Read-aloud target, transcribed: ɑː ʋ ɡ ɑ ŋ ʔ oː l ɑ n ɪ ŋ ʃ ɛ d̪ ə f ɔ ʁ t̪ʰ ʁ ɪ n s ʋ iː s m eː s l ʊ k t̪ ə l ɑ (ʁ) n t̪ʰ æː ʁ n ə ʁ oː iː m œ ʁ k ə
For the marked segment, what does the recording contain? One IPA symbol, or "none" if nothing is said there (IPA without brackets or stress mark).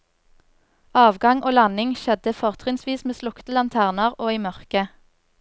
none